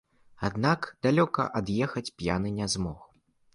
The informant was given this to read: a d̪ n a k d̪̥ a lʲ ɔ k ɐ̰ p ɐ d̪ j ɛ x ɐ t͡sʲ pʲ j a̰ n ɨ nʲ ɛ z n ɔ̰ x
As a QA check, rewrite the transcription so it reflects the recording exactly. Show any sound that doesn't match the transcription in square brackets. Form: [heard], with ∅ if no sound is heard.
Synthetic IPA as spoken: a d̪ n a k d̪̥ a lʲ ɔ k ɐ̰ [ʔ] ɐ d̪ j ɛ x ɐ t͡sʲ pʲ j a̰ n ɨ nʲ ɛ z [m] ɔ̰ x

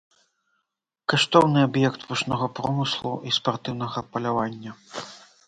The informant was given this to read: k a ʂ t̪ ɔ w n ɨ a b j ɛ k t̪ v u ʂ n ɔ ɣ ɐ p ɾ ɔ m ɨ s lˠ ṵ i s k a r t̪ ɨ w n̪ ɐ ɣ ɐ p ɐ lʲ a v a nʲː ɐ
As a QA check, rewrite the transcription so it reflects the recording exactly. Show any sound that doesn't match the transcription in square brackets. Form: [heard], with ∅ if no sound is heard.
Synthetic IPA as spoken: k a ʂ t̪ ɔ w n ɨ a b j ɛ k t̪ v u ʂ n ɔ ɣ ɐ p ɾ ɔ m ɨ s lˠ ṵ i s [p] a r t̪ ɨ w n̪ ɐ ɣ ɐ p ɐ lʲ a v a nʲː ɐ

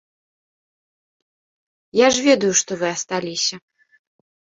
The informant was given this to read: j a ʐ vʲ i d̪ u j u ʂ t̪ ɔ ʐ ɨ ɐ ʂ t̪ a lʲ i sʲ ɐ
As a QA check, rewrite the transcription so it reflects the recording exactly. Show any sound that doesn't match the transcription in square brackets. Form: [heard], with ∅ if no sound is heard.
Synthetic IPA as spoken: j a ʐ vʲ [ɛ] d̪ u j u ʂ t̪ ɔ [v] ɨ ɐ [s] t̪ a lʲ i sʲ ɐ

